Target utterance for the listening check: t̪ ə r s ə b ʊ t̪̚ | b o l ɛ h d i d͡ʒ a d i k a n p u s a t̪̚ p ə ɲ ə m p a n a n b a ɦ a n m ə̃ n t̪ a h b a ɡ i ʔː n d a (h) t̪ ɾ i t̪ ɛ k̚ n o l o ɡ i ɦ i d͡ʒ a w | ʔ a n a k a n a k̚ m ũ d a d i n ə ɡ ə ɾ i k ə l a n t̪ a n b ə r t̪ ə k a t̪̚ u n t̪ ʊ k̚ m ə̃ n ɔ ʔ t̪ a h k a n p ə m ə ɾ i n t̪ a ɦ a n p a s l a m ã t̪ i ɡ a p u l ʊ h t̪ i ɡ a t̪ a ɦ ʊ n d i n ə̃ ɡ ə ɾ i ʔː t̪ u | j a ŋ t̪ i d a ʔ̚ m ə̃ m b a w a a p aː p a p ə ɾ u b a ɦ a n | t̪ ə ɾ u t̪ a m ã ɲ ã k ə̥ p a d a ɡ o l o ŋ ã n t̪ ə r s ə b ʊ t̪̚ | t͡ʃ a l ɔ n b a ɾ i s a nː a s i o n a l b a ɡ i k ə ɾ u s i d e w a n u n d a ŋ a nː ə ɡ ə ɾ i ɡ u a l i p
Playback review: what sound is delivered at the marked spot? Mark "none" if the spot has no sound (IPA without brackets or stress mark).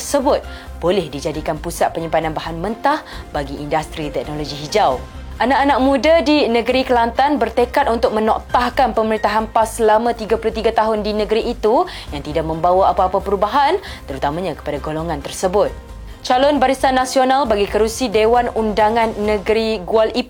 s